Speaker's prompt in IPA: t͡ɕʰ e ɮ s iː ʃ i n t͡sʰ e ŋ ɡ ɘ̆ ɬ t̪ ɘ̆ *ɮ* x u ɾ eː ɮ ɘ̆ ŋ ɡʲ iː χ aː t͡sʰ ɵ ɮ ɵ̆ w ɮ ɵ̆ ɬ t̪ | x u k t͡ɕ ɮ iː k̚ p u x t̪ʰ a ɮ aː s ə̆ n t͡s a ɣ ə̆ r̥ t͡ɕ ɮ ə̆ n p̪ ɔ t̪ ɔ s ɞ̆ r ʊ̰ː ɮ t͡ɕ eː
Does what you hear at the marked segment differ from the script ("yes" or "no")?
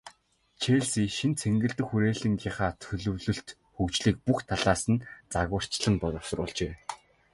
yes